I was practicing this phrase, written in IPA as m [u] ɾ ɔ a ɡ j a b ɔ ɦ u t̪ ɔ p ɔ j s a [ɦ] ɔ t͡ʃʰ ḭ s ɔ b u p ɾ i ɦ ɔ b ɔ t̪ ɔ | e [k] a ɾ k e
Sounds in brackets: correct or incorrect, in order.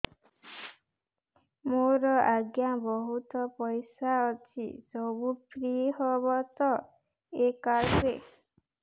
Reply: incorrect: o, incorrect: none, correct

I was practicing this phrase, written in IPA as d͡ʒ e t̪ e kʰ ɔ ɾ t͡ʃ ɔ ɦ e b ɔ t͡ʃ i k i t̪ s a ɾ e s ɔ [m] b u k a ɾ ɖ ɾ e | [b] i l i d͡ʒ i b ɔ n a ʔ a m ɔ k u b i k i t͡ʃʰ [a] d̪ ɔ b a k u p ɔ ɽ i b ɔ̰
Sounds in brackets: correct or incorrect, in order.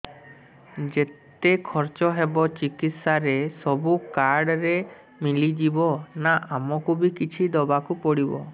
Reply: incorrect: none, incorrect: m, incorrect: i

